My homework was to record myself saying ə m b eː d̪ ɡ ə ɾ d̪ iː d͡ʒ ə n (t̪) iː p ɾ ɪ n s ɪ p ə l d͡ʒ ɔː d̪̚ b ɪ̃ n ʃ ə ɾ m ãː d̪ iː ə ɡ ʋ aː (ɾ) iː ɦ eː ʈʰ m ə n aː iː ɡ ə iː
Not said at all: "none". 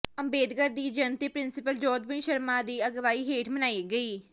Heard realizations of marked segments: t̪, none

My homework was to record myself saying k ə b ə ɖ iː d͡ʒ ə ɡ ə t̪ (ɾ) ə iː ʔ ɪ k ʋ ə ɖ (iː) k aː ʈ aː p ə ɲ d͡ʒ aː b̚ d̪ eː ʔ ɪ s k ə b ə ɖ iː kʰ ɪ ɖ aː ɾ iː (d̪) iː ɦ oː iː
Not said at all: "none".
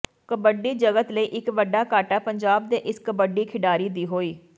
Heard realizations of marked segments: l, aː, d̪

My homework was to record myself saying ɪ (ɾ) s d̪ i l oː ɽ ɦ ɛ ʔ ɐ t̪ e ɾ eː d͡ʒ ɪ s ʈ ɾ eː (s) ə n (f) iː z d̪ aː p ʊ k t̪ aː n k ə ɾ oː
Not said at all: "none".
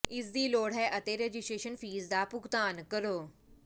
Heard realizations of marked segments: none, ʃ, f

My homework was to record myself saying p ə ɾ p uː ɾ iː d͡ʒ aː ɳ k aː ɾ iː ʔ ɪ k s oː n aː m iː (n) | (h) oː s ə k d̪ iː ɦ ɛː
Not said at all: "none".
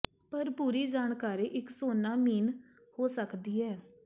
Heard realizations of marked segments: n, h

